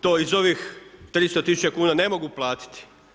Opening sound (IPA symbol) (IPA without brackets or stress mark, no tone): t̪